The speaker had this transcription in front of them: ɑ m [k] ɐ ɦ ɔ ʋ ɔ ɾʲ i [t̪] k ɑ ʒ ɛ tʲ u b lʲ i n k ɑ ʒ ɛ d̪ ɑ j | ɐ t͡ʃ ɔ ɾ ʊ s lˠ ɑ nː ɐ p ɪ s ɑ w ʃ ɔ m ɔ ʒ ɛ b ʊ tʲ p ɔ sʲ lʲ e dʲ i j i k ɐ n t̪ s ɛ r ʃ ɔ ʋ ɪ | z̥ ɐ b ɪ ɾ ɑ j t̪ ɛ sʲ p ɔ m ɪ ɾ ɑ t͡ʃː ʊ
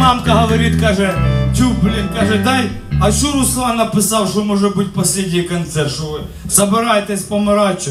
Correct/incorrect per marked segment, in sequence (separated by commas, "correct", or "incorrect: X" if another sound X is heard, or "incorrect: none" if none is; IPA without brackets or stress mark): correct, correct